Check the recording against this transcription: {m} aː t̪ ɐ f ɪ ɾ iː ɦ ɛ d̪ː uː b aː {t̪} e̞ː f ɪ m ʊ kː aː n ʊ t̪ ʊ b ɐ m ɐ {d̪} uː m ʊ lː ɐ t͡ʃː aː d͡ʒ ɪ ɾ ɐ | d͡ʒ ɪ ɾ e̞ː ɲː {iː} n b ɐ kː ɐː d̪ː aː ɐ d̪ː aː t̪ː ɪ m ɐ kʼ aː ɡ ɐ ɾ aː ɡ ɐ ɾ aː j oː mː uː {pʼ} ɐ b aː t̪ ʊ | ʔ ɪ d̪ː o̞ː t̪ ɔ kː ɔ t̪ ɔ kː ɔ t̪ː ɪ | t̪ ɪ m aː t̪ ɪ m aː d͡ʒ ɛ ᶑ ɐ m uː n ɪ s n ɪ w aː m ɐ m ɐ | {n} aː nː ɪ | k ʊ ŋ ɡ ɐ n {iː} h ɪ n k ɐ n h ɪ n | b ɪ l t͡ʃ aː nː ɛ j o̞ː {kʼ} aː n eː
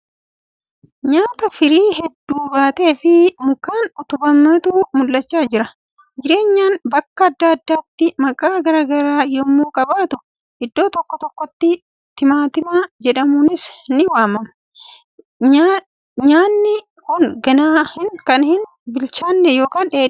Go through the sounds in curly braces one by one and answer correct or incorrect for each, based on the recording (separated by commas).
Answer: incorrect, correct, incorrect, incorrect, incorrect, incorrect, incorrect, incorrect